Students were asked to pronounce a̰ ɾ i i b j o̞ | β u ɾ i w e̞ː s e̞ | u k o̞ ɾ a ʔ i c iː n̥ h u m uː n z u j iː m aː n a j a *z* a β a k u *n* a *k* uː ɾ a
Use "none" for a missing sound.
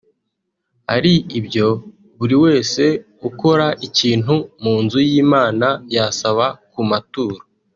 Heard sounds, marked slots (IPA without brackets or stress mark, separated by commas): s, m, t